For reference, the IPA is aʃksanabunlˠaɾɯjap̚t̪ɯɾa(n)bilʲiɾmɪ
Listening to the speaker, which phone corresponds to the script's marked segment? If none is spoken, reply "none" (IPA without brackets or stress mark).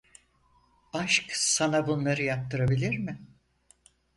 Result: none